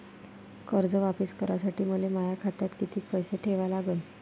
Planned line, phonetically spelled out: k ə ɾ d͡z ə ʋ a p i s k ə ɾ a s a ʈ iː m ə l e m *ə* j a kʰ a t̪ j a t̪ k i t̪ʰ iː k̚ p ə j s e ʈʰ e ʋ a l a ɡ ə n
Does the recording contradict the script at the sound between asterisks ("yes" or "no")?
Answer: yes